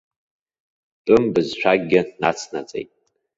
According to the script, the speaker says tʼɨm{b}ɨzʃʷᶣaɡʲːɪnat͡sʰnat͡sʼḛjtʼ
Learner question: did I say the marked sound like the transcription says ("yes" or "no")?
yes